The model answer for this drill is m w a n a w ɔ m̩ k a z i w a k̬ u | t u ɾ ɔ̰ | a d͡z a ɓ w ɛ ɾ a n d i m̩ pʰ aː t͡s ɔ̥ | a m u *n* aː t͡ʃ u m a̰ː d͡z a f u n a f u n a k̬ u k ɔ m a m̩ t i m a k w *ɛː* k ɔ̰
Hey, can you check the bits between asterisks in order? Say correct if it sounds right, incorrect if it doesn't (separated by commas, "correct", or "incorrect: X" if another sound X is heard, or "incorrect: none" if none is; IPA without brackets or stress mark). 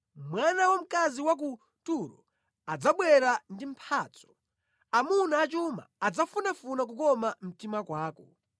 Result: correct, incorrect: aː